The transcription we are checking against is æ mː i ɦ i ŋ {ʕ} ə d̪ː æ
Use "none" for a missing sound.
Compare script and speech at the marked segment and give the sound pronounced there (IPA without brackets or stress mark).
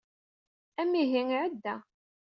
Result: ʕ